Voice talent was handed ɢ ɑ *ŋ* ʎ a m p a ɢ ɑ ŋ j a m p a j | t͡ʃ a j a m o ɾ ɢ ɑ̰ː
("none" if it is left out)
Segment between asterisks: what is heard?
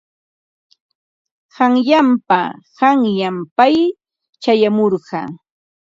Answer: ŋ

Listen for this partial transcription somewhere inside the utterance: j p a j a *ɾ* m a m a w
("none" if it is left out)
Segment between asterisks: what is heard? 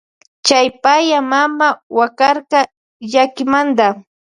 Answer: none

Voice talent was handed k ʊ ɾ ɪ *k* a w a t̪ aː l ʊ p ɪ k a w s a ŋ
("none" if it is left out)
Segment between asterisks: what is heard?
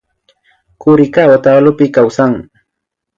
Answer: k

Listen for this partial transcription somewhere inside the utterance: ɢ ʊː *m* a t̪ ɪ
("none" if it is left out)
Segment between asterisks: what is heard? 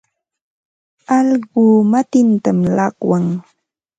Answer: m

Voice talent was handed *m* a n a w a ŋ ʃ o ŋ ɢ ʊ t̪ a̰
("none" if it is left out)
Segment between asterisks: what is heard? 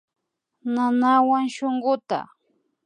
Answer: n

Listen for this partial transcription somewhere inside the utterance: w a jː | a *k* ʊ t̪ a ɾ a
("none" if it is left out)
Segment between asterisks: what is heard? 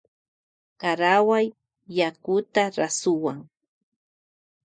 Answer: k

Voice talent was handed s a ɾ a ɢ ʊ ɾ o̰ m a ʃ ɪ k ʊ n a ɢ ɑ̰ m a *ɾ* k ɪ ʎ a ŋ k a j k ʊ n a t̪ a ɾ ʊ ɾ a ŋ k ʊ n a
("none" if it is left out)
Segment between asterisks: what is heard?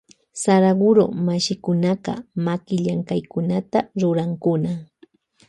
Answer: none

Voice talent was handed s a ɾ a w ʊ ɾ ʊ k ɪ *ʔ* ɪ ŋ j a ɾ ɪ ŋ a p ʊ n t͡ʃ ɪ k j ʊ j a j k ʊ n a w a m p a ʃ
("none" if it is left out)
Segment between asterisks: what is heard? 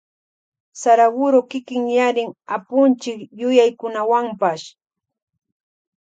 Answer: k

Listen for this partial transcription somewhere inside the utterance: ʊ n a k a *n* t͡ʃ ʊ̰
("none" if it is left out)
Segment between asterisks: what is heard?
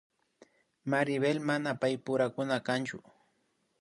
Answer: n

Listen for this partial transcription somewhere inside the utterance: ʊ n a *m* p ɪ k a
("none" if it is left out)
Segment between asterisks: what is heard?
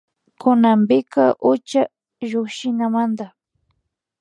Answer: m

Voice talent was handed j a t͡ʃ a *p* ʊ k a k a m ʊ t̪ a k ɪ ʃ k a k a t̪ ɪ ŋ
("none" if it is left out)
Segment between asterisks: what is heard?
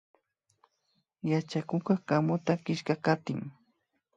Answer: k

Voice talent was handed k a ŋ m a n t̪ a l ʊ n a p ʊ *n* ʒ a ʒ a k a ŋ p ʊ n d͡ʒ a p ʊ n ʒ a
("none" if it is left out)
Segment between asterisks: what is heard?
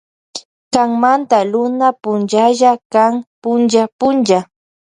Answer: n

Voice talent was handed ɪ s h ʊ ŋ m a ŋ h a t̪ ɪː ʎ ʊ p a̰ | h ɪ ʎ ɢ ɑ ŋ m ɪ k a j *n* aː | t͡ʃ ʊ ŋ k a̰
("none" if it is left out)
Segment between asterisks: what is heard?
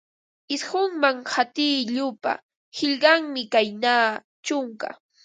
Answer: n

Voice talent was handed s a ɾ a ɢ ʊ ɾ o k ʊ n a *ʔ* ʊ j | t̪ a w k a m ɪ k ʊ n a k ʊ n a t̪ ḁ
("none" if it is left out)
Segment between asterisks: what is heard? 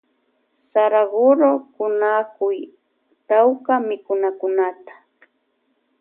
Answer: k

